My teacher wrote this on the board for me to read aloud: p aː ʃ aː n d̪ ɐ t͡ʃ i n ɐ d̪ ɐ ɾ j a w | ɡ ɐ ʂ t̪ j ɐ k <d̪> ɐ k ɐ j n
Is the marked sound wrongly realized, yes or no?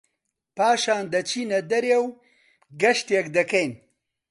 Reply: no